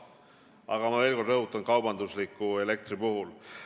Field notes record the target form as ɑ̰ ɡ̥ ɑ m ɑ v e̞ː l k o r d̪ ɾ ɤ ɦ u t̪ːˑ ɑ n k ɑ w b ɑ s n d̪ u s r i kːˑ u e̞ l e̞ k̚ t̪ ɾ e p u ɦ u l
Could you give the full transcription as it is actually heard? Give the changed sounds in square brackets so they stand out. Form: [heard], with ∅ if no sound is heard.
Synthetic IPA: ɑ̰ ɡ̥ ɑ m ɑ v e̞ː l k o r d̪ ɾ ɤ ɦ u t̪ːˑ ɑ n k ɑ w b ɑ [∅] n d̪ u s [l] i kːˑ u e̞ l e̞ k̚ t̪ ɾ [i] p u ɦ u l